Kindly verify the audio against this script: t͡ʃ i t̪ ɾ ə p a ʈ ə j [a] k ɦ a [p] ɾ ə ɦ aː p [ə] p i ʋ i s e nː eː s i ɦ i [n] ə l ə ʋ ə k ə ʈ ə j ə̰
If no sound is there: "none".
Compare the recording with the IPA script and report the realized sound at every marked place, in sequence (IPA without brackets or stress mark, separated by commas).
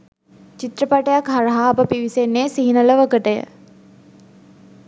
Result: a, none, ə, n